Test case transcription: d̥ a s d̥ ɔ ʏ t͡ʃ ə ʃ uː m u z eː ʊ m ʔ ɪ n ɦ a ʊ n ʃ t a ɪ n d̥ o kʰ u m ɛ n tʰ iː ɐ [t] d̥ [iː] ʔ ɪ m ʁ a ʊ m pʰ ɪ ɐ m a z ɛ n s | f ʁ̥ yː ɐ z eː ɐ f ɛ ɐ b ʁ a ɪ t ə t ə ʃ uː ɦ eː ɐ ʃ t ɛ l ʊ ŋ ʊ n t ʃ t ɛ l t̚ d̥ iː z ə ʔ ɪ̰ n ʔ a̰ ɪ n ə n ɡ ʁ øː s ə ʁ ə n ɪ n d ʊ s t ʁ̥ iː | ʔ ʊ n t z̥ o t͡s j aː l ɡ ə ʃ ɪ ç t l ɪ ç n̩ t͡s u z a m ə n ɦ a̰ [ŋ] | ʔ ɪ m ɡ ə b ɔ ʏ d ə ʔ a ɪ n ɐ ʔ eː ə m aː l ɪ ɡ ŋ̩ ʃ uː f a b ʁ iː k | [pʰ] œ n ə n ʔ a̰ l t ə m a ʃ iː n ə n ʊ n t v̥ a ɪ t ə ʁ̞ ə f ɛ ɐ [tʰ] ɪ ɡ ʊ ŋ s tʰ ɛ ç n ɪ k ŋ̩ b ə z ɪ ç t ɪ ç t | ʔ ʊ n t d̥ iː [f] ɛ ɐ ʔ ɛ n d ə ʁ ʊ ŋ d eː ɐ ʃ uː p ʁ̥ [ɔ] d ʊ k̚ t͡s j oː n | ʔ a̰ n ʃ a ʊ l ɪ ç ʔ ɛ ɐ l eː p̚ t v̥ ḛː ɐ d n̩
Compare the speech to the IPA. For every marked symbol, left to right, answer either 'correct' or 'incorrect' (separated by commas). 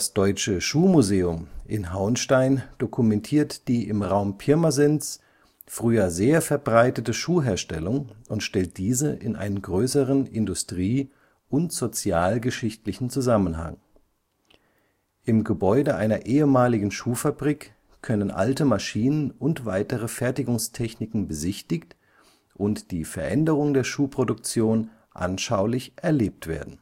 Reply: correct, correct, correct, incorrect, incorrect, correct, incorrect